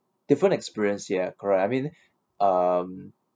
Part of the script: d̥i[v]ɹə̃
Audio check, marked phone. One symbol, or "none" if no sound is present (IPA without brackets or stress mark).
f